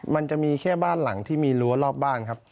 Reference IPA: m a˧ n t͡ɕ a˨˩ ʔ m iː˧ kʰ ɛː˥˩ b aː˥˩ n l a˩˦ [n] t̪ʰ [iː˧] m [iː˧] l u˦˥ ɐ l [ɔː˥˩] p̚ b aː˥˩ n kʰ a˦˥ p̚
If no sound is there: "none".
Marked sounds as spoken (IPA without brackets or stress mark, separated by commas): ŋ, iː˥˩, iː˧, ɔː˥˩